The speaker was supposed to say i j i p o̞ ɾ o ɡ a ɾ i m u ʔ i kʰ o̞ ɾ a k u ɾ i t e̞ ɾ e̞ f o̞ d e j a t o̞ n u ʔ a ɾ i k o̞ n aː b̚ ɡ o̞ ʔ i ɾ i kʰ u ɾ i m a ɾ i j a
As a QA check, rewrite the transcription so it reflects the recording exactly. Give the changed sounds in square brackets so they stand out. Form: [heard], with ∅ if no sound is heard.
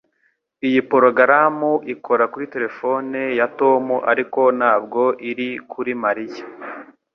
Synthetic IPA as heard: i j i p o̞ ɾ o ɡ a ɾ [a] m u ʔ i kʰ o̞ ɾ a k u ɾ i t e̞ ɾ e̞ f o̞ [n] e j a t o̞ [m] u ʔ a ɾ i k o̞ n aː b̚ ɡ o̞ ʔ i ɾ i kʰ u ɾ i m a ɾ i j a